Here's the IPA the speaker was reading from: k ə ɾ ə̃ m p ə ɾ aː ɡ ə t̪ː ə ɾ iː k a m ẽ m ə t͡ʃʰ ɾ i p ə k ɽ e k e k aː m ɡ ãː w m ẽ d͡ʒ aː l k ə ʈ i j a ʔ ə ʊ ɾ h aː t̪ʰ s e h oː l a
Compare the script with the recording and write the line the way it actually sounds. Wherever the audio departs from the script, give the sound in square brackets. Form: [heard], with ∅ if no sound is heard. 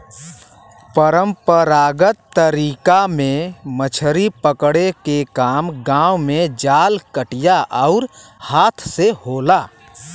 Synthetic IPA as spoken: [p] ə ɾ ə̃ m p ə ɾ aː ɡ ə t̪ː ə ɾ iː k a m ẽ m ə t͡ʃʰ ɾ i p ə k ɽ e k e k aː m ɡ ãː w m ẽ d͡ʒ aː l k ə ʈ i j a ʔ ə ʊ ɾ h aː t̪ʰ s e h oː l a